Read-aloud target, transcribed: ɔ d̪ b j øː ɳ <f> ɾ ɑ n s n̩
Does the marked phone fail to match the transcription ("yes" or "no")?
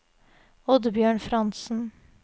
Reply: no